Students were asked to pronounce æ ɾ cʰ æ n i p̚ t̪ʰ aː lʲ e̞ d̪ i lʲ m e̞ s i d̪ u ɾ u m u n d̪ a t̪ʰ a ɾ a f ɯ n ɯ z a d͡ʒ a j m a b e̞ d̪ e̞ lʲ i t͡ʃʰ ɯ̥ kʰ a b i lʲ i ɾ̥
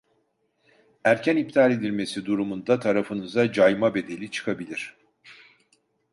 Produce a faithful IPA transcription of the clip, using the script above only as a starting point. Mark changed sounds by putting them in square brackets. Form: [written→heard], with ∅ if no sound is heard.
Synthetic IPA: æ ɾ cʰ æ n i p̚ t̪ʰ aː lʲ e̞ d̪ i lʲ m e̞ s i d̪ u ɾ u m u n d̪ a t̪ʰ a ɾ a f ɯ n ɯ z a d͡ʒ a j m a b e̞ d̪ e̞ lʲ i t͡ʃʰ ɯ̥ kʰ a b i lʲ i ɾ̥